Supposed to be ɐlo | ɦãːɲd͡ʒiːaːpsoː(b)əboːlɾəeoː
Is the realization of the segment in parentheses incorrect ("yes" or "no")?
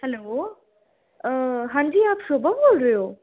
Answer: no